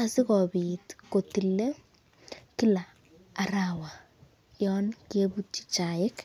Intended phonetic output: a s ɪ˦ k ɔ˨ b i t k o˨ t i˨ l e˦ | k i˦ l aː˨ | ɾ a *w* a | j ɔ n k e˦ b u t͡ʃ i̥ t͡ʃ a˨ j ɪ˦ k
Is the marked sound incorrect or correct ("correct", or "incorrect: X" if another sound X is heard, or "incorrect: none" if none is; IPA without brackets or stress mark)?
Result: correct